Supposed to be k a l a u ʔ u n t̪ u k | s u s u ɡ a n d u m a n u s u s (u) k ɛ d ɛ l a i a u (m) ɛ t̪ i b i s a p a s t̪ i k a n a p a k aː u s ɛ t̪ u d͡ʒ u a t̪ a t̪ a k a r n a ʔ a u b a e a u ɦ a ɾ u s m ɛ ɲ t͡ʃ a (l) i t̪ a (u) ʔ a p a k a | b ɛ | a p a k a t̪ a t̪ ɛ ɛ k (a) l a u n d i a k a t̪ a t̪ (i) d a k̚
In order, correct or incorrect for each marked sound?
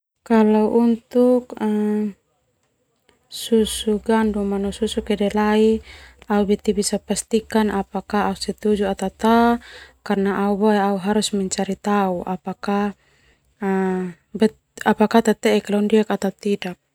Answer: correct, incorrect: b, incorrect: ɾ, correct, correct, correct

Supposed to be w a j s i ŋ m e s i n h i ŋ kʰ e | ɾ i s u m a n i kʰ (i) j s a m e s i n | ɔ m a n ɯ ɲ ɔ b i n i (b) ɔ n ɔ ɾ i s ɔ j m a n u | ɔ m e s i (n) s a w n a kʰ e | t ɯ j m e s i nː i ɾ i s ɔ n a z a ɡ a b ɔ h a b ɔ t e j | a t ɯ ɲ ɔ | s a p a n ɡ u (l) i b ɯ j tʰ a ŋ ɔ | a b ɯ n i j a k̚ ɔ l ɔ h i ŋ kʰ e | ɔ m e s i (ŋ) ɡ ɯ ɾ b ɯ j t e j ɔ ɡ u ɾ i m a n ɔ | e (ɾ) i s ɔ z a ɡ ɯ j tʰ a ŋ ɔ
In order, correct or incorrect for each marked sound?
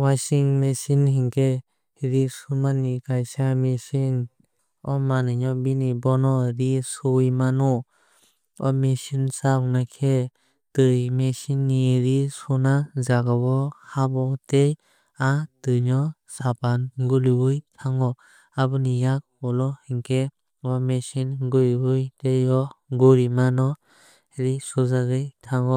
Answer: incorrect: a, correct, correct, correct, incorrect: n, correct

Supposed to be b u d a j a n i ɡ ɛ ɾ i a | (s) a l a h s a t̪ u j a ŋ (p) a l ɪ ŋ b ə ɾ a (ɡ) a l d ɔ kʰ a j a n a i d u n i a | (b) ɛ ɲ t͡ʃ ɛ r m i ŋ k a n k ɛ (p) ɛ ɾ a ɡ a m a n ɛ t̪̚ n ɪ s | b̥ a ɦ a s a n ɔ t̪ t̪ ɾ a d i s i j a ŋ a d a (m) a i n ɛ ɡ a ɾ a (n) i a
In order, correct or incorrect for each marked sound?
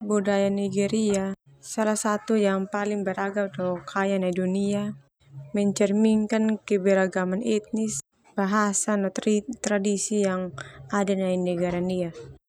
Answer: correct, correct, correct, incorrect: m, incorrect: b, incorrect: n, correct

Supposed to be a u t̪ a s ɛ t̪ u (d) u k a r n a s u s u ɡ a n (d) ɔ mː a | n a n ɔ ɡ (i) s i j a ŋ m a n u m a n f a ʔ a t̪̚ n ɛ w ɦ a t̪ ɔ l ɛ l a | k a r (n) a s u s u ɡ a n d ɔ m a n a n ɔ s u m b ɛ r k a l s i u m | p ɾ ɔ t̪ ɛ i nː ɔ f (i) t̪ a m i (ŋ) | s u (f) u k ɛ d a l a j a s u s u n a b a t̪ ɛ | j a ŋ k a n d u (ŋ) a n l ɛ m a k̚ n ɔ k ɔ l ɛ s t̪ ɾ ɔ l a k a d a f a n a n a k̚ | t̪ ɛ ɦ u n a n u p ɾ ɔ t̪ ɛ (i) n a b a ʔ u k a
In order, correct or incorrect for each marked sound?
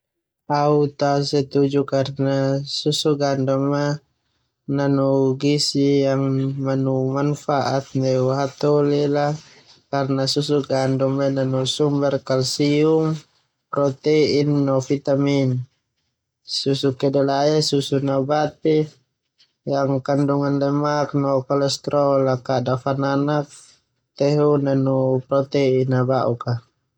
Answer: incorrect: d͡ʒ, correct, correct, correct, correct, incorrect: n, incorrect: s, correct, correct

